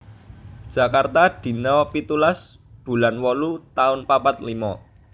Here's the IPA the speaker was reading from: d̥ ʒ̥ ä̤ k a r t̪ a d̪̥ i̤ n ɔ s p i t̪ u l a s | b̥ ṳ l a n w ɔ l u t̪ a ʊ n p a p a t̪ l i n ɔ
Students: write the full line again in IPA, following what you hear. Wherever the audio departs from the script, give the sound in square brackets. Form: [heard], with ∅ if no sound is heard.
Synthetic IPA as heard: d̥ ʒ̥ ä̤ k a r t̪ a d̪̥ i̤ n ɔ [∅] p i t̪ u l a s | b̥ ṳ l a n w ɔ l u t̪ a ʊ n p a p a t̪ l i [m] ɔ